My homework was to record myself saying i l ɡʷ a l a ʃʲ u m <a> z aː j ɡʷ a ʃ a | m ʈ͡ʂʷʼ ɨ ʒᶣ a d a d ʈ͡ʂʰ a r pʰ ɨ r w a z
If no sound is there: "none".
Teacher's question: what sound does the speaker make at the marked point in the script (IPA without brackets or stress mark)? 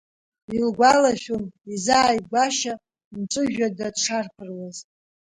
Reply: i